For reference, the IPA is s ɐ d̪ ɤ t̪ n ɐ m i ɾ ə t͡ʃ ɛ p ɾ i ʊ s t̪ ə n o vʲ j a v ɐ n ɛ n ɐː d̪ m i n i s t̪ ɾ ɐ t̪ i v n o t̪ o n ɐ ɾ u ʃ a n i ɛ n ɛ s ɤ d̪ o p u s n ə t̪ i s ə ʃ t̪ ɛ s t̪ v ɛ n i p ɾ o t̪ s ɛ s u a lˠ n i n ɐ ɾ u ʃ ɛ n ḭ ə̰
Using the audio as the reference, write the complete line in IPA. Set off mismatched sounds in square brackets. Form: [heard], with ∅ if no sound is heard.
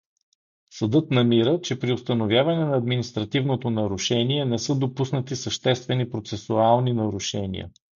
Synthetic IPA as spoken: s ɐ d̪ ɤ t̪ n ɐ m i ɾ ə t͡ʃ ɛ p ɾ i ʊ s t̪ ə n o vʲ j a v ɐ n ɛ n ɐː d̪ m i n i s t̪ ɾ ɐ t̪ i v n o t̪ o n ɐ ɾ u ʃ [ɛ] n i ɛ n ɛ s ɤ d̪ o p u s n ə t̪ i s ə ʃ t̪ ɛ s t̪ v ɛ n i p ɾ o t̪ s ɛ s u a lˠ n i n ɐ ɾ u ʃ ɛ n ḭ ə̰